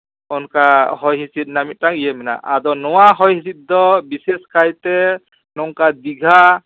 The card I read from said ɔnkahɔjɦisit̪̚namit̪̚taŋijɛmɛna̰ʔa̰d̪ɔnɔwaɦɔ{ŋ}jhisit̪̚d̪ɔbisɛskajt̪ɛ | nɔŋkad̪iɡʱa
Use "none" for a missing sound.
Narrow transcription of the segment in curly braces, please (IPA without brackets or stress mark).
none